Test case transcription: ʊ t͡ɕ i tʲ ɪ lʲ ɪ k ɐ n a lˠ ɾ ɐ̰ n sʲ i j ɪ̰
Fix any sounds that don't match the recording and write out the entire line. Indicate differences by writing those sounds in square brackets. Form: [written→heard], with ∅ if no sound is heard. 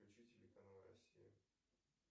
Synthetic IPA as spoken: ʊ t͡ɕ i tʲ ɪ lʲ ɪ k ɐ n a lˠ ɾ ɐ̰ [n→∅] sʲ i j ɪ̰